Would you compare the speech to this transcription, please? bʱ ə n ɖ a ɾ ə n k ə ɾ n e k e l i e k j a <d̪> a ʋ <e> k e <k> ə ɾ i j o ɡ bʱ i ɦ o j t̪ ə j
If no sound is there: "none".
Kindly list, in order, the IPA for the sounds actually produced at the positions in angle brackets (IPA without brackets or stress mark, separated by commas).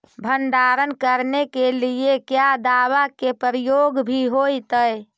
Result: d̪, a, p